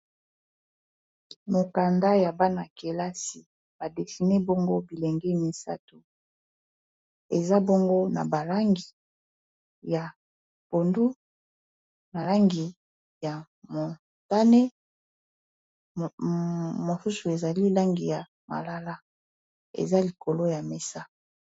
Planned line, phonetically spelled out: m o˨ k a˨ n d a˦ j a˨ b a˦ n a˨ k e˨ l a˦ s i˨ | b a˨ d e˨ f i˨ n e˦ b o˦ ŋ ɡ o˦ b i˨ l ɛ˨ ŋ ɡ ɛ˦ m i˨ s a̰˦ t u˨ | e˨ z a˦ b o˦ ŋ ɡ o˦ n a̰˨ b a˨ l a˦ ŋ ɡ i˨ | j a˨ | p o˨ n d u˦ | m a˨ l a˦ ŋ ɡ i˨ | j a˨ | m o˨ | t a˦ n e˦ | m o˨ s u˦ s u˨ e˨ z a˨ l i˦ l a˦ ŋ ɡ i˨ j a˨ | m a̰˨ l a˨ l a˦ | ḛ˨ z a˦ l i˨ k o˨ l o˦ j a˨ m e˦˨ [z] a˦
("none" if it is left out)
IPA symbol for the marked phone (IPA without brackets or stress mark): s